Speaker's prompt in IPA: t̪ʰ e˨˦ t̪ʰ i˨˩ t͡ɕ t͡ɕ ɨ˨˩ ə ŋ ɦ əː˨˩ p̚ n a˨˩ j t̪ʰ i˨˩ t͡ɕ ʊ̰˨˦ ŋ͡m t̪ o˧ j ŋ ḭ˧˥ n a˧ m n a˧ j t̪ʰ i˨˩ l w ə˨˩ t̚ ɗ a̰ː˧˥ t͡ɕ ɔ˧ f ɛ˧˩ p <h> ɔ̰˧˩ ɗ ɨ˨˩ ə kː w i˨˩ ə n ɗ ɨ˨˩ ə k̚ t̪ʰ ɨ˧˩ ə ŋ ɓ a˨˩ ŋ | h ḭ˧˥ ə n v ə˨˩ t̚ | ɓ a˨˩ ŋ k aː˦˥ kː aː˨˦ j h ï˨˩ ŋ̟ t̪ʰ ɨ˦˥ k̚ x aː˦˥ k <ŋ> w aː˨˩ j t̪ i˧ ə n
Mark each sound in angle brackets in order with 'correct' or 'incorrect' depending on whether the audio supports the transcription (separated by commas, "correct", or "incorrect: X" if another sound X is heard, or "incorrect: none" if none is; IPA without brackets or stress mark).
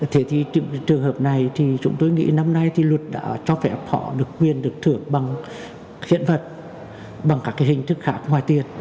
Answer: correct, correct